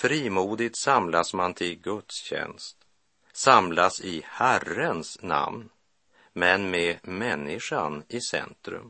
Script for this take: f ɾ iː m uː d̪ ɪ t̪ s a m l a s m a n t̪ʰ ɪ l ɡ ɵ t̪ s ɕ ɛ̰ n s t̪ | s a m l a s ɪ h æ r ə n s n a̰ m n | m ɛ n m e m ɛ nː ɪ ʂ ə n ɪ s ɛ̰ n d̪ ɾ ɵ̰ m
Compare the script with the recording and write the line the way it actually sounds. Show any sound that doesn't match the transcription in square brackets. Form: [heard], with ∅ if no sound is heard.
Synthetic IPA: f ɾ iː m uː d̪ ɪ t̪ s a m l a s m a n t̪ʰ ɪ l ɡ ɵ t̪ s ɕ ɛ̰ n s t̪ | s a m l a s ɪ h æ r ə n s n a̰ m n | m ɛ n m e m ɛ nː ɪ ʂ [a] n ɪ s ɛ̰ n [t̪] ɾ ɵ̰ m